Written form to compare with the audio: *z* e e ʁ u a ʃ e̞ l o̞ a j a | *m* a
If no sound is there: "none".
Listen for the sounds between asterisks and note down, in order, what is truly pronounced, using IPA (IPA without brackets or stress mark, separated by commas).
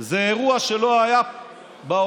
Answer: z, b